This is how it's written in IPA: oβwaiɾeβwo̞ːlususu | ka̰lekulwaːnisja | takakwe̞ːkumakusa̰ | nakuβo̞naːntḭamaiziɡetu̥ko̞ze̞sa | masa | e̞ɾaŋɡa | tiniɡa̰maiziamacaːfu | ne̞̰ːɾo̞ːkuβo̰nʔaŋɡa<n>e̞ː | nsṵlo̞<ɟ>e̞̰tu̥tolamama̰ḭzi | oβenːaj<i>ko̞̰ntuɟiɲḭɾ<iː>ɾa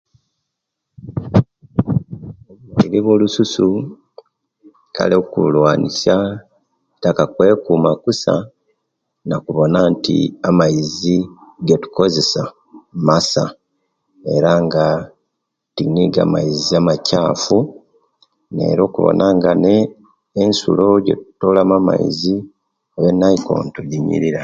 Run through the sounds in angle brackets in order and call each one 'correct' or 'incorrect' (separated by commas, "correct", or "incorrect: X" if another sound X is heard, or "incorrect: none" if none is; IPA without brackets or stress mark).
correct, correct, correct, incorrect: i